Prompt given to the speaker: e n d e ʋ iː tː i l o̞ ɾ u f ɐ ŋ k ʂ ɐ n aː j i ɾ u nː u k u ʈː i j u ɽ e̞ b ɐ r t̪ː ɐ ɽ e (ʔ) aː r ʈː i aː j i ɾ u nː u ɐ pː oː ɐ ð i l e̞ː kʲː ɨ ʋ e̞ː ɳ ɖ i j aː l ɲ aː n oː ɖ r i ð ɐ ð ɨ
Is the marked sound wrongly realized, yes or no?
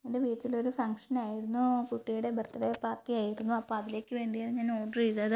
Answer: yes